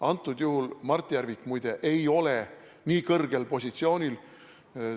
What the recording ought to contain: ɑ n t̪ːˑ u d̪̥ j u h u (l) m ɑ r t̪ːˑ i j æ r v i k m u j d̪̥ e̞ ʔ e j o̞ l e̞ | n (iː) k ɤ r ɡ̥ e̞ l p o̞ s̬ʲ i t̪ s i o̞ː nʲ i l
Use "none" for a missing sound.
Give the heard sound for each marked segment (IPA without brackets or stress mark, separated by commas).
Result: l, iː